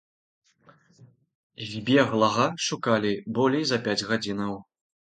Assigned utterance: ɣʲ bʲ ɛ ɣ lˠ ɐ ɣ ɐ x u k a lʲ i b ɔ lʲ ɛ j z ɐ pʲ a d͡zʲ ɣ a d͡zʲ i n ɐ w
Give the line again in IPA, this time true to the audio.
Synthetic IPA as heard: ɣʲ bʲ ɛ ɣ lˠ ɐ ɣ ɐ ʂ u k a lʲ i b ɔ lʲ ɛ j z ɐ pʲ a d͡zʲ ɣ a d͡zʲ i n ɐ w